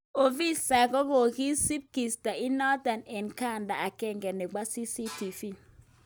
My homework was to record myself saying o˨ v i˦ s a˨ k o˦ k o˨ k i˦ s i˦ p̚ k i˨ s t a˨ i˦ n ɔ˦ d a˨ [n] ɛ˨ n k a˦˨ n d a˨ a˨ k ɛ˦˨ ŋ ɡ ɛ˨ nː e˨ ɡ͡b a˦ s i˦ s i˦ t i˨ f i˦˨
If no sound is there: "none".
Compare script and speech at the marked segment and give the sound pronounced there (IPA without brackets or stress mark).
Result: n